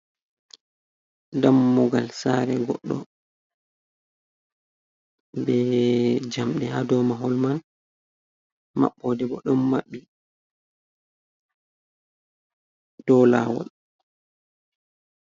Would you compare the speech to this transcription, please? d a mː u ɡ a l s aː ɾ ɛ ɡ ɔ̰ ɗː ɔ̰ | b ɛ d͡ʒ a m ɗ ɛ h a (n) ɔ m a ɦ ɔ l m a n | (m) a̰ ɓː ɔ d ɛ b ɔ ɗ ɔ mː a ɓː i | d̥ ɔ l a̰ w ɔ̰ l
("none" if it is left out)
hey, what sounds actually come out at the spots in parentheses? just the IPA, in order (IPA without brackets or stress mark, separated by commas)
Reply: d, m